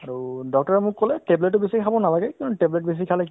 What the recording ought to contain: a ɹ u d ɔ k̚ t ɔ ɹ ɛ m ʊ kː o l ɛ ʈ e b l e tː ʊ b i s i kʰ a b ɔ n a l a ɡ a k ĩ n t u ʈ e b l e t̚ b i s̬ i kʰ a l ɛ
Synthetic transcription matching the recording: a ɹ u d ɔ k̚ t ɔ ɹ ɛ m ʊ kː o l ɛ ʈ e b l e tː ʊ b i s i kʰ a b ɔ n a l a ɡ ɛ k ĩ n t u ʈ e b l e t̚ b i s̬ i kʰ a l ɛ